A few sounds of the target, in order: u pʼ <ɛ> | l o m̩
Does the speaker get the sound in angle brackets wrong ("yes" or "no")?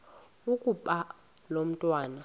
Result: yes